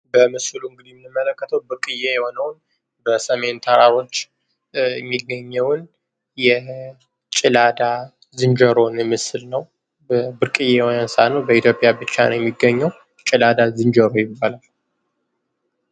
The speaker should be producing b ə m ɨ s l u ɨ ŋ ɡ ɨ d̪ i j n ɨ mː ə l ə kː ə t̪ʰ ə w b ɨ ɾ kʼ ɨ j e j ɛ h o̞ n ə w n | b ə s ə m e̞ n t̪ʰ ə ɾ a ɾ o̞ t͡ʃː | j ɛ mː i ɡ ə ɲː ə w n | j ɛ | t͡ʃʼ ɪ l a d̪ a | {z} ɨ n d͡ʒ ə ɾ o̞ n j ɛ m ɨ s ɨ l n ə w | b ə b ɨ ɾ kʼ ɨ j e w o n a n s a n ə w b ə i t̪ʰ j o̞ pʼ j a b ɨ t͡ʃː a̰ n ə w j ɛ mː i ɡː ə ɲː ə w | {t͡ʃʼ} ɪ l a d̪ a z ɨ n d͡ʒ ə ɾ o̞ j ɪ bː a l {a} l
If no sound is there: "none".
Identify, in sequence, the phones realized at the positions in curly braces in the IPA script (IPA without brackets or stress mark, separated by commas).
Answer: z, t͡ʃʼ, a